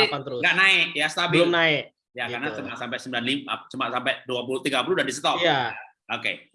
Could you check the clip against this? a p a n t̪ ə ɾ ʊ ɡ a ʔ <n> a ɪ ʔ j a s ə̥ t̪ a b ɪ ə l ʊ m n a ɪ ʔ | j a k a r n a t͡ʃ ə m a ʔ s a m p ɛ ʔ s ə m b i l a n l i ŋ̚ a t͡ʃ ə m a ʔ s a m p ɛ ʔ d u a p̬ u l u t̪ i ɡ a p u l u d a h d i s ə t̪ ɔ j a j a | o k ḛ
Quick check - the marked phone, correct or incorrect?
correct